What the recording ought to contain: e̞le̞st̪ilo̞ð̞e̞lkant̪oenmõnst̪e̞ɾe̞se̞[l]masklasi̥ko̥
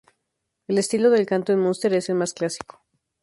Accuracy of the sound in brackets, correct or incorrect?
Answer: correct